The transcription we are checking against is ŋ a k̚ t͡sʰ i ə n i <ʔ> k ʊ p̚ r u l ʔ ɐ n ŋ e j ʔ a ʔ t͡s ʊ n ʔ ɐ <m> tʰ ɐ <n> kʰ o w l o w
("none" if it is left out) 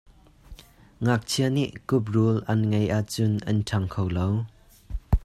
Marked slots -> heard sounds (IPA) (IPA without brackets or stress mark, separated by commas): ʔ, n, ŋ